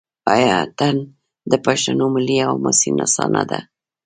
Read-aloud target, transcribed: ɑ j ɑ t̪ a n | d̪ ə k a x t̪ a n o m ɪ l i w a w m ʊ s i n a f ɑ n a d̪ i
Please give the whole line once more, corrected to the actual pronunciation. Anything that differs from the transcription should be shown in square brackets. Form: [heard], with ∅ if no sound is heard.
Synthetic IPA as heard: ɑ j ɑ t̪ a n | d̪ ə [p] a [ʃ] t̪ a n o m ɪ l i [∅] a w m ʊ s i n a [s] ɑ n a d̪ [a]